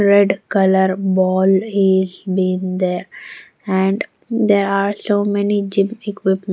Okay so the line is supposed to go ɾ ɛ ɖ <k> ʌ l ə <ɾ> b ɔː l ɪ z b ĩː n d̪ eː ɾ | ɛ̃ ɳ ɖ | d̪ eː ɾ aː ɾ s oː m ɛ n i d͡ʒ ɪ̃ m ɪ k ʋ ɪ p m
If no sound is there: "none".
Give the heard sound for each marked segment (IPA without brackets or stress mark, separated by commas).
k, ɾ